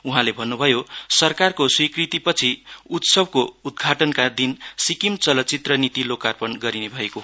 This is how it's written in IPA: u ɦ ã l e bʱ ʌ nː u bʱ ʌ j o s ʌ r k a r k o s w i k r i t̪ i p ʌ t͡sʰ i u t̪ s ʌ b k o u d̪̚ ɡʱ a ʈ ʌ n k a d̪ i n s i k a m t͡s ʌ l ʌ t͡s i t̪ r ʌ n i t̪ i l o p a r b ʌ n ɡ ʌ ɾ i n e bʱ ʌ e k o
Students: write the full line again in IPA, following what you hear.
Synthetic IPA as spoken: u ɦ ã l e bʱ ʌ nː u bʱ ʌ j o s ʌ r k a r k o s w i k r i t̪ i p ʌ t͡sʰ i u t̪ s ʌ b k o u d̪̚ ɡʱ a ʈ ʌ n k a d̪ i n s i k i m t͡s ʌ l ʌ t͡s i t̪ r ʌ n i t̪ i l o k a r p ʌ n ɡ ʌ ɾ i n e bʱ ʌ e k o